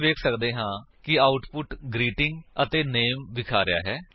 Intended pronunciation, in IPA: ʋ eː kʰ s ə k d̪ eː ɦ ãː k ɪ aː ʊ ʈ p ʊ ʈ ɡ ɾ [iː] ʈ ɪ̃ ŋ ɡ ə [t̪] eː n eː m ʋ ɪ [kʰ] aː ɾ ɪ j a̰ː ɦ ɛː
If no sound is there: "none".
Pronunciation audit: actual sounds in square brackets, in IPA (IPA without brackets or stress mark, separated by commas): iː, t̪, kʰ